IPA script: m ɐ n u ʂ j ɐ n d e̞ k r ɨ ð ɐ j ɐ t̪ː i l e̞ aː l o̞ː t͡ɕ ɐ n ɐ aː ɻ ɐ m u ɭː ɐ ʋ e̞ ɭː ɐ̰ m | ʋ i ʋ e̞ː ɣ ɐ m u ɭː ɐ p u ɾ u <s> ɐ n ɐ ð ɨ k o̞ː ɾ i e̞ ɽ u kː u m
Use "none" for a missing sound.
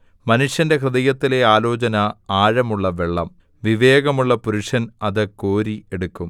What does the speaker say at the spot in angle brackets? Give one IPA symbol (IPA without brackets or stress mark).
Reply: ʂ